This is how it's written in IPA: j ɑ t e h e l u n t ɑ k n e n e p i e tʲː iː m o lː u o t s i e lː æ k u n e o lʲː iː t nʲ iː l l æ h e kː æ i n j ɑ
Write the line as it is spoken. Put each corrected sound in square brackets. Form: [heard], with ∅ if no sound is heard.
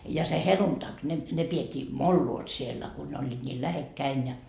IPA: j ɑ [s] e h e l u n t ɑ k n e n e p i e tʲː iː m o lː u o t s i e lː æ k u n e o lʲː iː t nʲ iː l l æ h e kː æ i n j ɑ